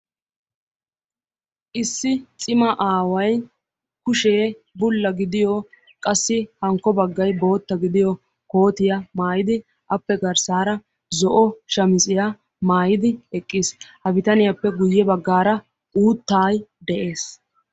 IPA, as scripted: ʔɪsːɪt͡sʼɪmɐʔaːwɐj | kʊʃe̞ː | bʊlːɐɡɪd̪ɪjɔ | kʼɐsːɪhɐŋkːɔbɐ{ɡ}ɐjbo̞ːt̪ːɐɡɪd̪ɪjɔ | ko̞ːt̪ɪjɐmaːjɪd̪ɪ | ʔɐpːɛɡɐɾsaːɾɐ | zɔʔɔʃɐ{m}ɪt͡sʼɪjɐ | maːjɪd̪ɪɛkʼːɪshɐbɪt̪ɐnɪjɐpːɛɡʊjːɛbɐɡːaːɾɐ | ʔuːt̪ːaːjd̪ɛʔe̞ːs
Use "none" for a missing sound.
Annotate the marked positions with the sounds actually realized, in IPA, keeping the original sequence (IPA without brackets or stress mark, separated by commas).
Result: ɡː, m